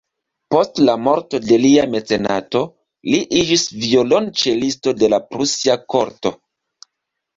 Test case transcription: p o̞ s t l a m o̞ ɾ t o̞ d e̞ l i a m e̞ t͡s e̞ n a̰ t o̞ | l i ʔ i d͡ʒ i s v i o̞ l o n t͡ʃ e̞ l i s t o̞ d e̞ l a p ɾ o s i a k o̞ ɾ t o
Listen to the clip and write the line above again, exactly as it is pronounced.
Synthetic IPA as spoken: p o̞ s t l a m o̞ ɾ t o̞ d e̞ l i a m e̞ t͡s e̞ n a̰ t o̞ | l i ʔ i d͡ʒ i s v i o̞ l o n t͡ʃ e̞ l i s t o̞ d e̞ l a p ɾ u s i a k o̞ ɾ t o